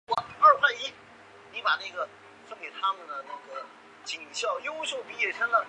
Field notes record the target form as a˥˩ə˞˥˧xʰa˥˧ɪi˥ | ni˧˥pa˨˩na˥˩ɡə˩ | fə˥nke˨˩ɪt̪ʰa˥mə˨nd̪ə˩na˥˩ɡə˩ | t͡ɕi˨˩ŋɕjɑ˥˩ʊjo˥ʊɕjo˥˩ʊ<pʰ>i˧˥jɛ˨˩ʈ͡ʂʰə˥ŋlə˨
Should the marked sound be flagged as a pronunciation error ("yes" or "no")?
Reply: yes